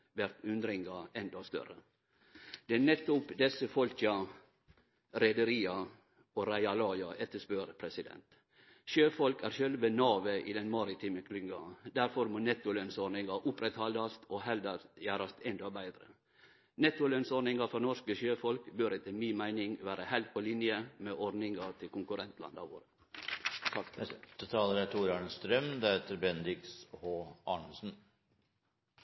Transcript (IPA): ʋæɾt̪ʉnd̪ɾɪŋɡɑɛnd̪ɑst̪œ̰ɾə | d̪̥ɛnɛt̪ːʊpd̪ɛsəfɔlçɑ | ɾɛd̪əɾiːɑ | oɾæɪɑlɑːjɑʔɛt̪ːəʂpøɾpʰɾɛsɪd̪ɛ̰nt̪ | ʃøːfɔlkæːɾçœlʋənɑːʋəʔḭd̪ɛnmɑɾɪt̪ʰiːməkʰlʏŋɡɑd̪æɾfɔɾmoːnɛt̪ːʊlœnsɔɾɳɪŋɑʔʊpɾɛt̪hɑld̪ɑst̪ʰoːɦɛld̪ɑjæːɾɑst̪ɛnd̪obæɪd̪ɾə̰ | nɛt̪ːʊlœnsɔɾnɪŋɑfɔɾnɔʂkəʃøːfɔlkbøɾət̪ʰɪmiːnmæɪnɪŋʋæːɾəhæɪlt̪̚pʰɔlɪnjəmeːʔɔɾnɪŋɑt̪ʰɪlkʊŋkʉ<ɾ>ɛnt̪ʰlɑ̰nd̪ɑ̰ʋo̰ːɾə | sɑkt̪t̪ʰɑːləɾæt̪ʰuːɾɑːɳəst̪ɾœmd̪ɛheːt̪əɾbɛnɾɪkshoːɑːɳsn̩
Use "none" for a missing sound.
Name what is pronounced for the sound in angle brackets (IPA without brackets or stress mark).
ɾ